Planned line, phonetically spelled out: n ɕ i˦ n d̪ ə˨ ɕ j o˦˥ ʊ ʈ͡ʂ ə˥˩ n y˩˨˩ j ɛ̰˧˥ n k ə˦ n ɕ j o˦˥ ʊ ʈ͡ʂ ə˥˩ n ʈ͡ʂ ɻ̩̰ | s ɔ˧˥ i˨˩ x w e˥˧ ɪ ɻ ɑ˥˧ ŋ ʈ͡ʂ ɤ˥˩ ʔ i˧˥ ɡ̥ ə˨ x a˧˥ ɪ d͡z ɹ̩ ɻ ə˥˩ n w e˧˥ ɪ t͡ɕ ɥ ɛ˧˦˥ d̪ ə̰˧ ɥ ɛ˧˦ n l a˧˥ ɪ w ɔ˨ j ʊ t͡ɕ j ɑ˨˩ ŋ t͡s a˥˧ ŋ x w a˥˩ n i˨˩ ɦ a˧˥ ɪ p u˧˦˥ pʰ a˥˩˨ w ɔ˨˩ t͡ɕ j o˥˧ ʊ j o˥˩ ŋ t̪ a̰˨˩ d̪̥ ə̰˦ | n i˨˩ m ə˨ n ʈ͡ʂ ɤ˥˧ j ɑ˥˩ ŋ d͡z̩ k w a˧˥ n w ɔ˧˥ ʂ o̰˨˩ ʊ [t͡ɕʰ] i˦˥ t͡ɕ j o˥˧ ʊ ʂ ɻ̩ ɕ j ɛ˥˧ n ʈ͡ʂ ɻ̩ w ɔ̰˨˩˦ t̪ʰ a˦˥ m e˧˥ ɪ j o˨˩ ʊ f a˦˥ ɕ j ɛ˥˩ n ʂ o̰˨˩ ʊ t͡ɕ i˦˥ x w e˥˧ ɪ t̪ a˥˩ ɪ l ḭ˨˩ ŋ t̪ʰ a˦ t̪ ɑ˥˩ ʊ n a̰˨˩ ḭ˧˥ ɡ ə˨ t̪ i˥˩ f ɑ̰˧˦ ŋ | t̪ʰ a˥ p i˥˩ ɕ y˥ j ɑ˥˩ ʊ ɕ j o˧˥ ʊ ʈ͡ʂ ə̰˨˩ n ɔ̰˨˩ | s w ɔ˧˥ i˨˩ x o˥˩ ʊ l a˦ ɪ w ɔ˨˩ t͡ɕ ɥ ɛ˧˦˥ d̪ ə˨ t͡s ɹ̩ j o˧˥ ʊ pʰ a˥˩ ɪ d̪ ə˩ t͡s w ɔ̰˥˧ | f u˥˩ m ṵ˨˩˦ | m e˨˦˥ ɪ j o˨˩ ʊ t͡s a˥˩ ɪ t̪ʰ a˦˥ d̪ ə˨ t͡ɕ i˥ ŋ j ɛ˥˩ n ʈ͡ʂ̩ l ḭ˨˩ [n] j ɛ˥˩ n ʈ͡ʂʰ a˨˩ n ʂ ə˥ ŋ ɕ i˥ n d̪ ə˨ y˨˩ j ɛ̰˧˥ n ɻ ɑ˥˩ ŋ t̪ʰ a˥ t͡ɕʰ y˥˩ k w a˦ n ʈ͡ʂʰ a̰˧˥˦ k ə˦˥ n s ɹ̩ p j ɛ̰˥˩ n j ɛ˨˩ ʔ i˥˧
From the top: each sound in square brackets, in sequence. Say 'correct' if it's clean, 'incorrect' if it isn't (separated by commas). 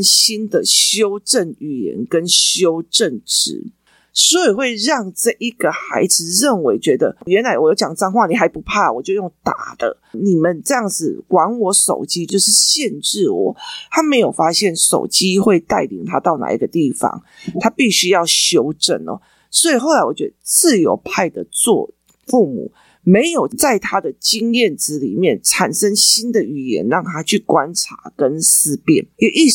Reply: incorrect, incorrect